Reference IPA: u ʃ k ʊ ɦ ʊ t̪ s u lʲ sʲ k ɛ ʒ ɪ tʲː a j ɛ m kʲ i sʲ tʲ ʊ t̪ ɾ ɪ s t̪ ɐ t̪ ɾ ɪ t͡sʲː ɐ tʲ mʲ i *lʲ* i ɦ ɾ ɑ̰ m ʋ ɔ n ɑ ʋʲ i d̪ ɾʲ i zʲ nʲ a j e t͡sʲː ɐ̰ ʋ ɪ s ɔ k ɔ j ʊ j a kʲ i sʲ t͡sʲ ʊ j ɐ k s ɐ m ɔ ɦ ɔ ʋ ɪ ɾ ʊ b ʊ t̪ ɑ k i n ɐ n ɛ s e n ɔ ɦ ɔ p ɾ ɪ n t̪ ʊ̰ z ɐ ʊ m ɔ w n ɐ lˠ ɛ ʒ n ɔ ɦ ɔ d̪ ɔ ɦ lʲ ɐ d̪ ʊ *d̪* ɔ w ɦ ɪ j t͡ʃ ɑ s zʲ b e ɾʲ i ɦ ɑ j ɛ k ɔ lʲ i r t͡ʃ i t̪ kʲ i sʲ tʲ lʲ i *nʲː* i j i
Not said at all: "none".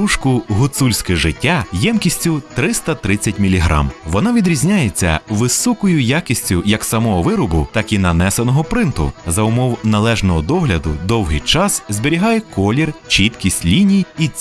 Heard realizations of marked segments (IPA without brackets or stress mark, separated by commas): lʲ, d̪, nʲ